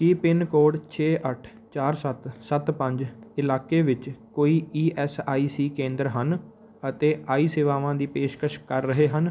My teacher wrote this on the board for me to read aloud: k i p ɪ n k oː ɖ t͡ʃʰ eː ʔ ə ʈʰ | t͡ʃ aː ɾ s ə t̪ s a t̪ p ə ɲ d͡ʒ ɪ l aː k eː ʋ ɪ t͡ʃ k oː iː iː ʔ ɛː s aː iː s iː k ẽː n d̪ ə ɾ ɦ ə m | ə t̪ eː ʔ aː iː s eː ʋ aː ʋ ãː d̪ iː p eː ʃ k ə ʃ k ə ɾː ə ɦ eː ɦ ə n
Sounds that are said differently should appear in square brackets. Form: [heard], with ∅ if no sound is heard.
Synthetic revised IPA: k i p ɪ n k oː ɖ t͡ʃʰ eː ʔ ə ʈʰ | t͡ʃ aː ɾ s ə t̪ s [ə] t̪ p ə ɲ d͡ʒ ɪ l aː k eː ʋ ɪ t͡ʃ k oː iː iː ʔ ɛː s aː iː s iː k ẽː n d̪ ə ɾ ɦ ə [n] | ə t̪ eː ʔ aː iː s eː ʋ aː ʋ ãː d̪ iː p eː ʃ k ə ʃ k ə ɾː ə ɦ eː ɦ ə n